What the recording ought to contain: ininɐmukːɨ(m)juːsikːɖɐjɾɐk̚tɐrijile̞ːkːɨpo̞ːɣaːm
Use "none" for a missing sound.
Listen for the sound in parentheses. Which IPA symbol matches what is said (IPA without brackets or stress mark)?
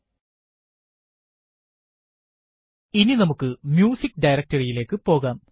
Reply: m